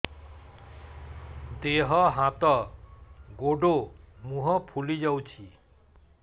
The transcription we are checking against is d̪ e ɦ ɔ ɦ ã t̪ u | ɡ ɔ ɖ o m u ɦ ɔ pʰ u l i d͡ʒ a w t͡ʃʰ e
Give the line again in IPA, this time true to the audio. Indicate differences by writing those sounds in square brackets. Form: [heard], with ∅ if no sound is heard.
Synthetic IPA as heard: d̪ e ɦ ɔ ɦ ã t̪ [ɔ] | ɡ [o] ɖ o m u ɦ ɔ pʰ u l i d͡ʒ a w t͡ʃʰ [i]